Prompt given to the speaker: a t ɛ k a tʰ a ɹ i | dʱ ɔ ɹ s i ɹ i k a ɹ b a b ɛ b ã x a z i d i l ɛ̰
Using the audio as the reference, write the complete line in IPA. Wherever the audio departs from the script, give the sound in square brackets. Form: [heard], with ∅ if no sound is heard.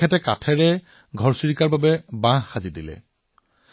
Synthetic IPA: [ɛ] t ɛ k a tʰ [ɛ] ɹ [ɛ] | [ɡʱ] ɔ ɹ s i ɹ i k a ɹ b a b ɛ b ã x a z i d i l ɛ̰